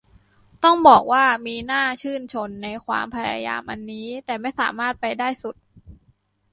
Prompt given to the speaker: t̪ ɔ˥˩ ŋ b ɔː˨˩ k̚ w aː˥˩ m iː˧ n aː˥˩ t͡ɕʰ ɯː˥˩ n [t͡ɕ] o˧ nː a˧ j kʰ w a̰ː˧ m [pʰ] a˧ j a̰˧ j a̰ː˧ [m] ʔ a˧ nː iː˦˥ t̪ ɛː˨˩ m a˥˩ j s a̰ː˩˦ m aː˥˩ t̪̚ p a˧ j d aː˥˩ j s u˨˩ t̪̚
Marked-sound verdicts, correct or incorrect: incorrect: t͡ɕʰ, correct, correct

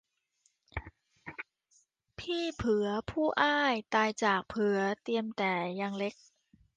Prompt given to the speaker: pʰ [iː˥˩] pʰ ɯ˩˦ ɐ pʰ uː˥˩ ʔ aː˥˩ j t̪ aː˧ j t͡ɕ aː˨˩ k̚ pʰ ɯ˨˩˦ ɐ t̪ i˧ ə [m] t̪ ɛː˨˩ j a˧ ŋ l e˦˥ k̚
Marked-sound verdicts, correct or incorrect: correct, correct

